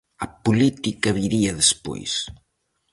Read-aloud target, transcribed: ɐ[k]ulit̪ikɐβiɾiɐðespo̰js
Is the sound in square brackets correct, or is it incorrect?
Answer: incorrect: p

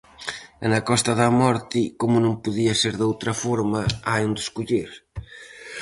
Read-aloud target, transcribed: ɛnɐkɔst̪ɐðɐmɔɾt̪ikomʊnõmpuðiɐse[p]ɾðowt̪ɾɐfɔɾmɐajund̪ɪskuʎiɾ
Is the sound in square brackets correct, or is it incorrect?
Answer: incorrect: none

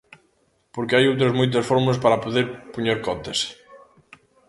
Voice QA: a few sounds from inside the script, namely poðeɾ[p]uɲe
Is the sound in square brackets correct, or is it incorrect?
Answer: correct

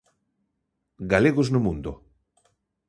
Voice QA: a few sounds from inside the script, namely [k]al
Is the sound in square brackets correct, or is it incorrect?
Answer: incorrect: ɡ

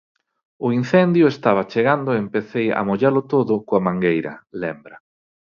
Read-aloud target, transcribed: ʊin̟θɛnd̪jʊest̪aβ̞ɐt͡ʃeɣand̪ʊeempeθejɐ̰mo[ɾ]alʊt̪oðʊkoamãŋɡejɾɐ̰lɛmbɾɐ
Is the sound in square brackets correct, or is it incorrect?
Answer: incorrect: ʎ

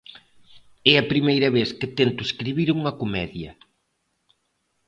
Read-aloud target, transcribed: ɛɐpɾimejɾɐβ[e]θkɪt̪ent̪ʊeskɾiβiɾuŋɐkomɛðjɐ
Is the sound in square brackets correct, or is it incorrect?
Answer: correct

